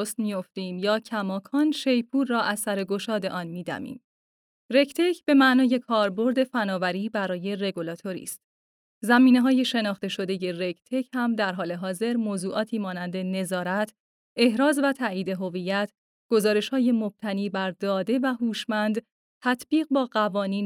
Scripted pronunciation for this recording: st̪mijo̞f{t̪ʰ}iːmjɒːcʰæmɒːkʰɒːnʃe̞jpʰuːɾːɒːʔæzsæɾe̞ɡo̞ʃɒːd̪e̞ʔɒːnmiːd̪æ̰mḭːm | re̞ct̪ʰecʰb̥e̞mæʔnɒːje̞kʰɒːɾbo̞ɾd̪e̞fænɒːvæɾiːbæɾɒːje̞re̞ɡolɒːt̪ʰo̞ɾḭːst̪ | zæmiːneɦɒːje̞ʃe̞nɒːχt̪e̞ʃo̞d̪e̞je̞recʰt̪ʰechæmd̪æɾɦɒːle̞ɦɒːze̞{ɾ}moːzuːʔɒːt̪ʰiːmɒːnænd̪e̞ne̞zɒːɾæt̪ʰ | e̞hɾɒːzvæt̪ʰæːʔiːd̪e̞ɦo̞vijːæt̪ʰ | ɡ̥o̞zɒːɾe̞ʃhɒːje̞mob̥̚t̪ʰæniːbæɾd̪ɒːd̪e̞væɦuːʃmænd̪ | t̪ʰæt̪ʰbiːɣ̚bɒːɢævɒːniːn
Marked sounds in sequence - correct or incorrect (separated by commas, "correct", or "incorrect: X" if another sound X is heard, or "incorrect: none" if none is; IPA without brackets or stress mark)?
incorrect: t̪, correct